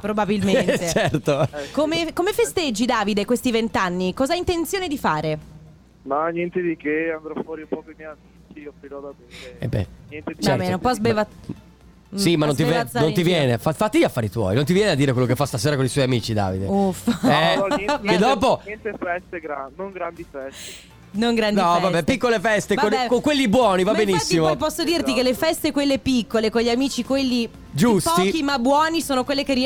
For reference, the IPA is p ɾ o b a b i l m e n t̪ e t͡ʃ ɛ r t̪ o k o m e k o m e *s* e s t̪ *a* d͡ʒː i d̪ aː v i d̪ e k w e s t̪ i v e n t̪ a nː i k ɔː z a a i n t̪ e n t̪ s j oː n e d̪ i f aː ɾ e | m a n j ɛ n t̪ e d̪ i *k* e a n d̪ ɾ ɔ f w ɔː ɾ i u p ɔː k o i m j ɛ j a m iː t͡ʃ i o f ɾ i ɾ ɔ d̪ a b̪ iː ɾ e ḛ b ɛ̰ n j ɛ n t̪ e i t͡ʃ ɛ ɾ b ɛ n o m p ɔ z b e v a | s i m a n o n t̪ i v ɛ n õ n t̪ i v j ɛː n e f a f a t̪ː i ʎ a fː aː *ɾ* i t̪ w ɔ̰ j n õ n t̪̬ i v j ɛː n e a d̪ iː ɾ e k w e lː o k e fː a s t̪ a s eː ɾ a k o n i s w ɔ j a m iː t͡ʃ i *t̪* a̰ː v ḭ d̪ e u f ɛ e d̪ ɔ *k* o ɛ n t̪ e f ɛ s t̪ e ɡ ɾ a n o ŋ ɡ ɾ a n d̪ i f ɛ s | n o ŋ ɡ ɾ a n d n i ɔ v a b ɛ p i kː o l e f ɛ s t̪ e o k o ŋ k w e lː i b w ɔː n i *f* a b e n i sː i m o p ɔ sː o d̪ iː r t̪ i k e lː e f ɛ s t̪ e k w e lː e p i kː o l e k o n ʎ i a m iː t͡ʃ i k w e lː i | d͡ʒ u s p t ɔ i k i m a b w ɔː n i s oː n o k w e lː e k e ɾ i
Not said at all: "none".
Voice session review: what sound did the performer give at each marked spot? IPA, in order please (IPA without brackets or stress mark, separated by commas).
f, e, k, ɾ, d̪, p, v